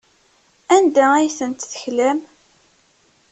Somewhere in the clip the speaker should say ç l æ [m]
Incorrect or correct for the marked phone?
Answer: correct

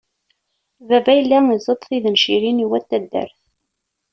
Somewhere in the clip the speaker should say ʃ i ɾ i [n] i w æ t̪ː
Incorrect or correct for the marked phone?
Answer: correct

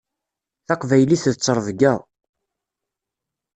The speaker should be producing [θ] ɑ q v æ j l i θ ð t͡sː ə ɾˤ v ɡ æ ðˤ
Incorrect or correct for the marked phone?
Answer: correct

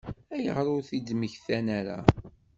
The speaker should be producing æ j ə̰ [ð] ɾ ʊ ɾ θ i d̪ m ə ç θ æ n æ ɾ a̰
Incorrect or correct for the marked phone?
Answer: incorrect: ʁ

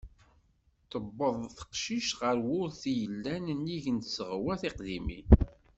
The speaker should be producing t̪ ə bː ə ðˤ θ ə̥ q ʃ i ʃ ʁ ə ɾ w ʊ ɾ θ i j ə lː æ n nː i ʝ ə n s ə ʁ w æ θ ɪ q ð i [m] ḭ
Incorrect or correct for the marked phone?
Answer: correct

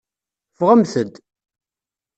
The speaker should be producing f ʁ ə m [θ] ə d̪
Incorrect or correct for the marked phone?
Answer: correct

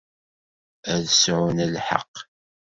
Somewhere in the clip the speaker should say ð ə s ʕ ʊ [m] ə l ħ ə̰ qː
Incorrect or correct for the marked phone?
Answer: incorrect: n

